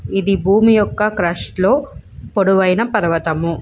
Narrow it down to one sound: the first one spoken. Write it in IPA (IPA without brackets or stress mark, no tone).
i